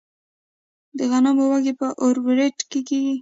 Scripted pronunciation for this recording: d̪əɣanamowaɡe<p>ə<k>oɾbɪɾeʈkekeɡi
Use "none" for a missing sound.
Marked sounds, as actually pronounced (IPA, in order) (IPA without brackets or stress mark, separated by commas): p, ʔ